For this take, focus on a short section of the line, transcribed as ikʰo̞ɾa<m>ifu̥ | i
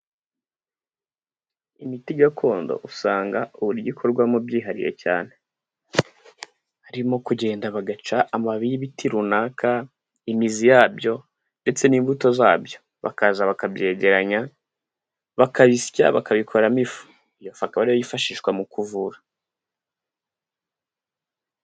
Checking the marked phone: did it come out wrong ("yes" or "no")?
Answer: no